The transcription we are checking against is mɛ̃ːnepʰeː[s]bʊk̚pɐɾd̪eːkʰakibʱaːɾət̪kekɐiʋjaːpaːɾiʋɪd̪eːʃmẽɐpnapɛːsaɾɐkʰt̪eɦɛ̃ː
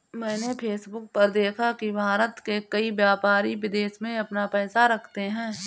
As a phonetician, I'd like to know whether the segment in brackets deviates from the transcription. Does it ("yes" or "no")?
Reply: no